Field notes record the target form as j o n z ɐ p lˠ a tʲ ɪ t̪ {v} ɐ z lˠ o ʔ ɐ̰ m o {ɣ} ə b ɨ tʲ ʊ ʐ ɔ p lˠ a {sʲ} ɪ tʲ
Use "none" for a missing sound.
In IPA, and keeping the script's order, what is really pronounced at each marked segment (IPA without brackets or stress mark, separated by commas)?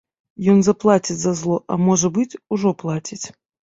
z, ʐ, tʲ